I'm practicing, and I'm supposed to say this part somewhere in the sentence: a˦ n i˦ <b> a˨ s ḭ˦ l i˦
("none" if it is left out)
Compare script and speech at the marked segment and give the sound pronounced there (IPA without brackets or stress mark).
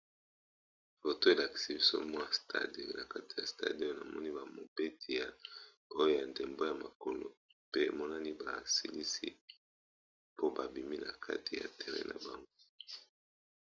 b